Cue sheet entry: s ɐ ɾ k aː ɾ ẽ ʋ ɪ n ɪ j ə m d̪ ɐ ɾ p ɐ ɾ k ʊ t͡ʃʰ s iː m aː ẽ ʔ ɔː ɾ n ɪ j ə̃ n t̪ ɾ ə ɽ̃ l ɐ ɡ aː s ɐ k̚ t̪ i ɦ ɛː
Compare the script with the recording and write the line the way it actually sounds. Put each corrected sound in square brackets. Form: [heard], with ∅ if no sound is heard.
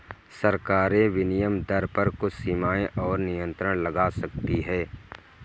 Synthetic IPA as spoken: s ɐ ɾ k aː ɾ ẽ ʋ ɪ n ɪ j ə m d̪ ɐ ɾ p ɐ ɾ k ʊ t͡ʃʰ s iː m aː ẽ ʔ ɔː ɾ n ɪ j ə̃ n t̪ ɾ ə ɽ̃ l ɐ ɡ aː s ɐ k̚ t̪ i ɦ ɛː